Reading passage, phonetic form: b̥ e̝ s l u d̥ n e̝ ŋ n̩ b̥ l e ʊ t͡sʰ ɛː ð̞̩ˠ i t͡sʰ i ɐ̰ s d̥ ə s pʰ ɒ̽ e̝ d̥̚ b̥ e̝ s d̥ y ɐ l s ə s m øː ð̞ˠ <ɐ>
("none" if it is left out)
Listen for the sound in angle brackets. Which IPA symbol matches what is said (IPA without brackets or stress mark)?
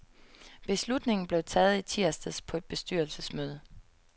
ə